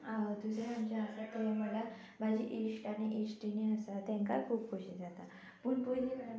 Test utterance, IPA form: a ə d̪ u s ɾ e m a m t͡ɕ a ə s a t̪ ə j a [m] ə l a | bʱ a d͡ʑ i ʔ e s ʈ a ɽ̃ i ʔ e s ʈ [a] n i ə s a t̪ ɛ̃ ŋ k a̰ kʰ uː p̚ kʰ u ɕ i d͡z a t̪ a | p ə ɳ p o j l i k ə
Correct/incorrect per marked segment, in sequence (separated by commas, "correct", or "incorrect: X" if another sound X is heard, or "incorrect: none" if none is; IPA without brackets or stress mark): correct, incorrect: i